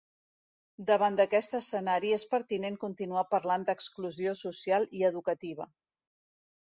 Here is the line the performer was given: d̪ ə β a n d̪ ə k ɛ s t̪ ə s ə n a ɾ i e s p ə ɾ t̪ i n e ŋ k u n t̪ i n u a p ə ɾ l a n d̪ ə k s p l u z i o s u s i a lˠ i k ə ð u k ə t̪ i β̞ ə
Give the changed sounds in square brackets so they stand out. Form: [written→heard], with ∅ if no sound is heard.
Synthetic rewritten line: d̪ ə β a n d̪ ə k ɛ s t̪ ə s ə n a ɾ i e s p ə ɾ t̪ i n e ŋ k u n t̪ i n u a p ə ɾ l a n d̪ ə k s [p→k] l u z i o s u s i a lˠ i [k→∅] ə ð u k ə t̪ i β̞ ə